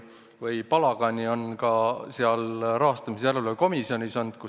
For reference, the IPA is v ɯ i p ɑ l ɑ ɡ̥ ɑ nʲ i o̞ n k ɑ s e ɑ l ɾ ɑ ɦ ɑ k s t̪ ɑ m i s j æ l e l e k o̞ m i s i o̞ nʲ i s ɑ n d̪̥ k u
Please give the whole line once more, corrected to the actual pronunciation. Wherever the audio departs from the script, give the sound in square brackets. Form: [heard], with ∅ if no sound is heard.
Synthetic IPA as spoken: v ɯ [j] p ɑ l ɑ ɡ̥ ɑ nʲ i o̞ n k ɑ s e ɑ l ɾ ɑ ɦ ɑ [∅] s t̪ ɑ m i s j æ l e l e k o̞ m i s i o̞ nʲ i s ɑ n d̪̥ k u